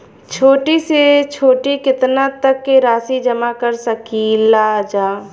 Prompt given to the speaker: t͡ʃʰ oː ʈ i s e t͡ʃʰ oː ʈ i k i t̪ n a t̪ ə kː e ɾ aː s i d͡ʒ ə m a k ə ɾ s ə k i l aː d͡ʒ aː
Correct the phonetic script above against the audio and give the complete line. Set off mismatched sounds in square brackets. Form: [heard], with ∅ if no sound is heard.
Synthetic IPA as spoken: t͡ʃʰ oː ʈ i s e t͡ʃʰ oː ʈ i k [ɪ] t̪ n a t̪ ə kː e ɾ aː s i d͡ʒ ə m a k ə ɾ s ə k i l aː d͡ʒ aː